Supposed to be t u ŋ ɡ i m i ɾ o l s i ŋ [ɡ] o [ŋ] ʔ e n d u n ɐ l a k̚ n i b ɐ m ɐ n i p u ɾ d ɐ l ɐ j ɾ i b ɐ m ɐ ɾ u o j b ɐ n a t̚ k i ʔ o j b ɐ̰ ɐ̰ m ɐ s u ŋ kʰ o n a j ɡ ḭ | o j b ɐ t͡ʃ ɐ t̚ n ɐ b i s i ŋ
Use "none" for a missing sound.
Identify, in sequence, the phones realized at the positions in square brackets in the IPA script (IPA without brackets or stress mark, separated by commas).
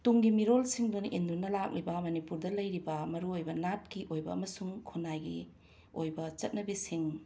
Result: d, n